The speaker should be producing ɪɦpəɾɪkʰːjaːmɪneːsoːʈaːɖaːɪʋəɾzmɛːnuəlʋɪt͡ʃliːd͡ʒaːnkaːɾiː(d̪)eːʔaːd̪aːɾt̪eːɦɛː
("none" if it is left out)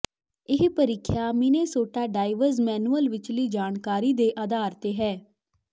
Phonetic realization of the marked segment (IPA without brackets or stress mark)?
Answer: d̪